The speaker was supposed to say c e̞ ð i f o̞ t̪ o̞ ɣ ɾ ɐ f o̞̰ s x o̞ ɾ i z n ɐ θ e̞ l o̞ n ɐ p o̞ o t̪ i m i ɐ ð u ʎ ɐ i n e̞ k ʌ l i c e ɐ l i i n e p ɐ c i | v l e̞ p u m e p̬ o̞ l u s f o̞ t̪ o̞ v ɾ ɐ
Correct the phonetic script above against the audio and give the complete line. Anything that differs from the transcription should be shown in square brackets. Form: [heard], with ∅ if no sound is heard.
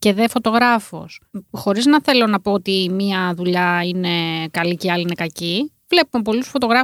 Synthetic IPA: c e̞ ð [e] f o̞ t̪ o̞ ɣ ɾ ɐ f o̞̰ s x o̞ ɾ i z n ɐ θ e̞ l o̞ n ɐ p o̞ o t̪ i m i ɐ ð u ʎ ɐ i n e̞ k [ɐ] l i c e ɐ l i i n e [k] ɐ c i | v l e̞ p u m e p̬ o̞ l u s f o̞ t̪ o̞ [ɣ] ɾ ɐ